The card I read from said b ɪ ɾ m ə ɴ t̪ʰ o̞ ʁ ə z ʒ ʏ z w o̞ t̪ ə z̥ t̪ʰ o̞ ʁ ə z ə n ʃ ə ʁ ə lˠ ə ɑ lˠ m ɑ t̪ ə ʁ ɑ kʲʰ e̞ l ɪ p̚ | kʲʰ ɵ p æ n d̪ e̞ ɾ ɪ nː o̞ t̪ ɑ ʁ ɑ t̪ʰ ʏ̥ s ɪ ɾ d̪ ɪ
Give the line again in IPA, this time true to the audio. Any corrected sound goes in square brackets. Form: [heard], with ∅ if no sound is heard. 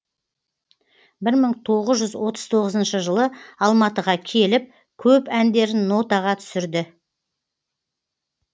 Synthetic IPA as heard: b ɪ ɾ m ə ɴ t̪ʰ o̞ ʁ ə z ʒ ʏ z w o̞ t̪ ə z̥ t̪ʰ o̞ ʁ ə z ə n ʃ ə [ʒ] ə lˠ ə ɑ lˠ m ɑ t̪ ə ʁ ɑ kʲʰ e̞ l ɪ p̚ | kʲʰ ɵ p æ n d̪ e̞ ɾ ɪ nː o̞ t̪ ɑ ʁ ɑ t̪ʰ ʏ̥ s ɪ ɾ d̪ ɪ